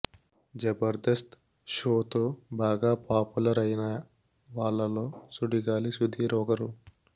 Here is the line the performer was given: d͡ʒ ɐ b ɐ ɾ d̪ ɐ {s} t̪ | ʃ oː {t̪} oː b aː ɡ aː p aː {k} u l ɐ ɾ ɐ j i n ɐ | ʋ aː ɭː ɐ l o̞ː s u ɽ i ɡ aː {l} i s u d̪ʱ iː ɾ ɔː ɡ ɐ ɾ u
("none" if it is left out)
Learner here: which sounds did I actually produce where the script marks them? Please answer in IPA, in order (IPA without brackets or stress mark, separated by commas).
s, t̪, p, l